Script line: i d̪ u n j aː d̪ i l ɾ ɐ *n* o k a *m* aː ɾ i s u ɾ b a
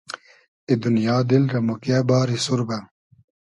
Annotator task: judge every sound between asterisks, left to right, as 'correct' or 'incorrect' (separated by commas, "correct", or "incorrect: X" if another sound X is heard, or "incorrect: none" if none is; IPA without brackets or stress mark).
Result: incorrect: m, incorrect: b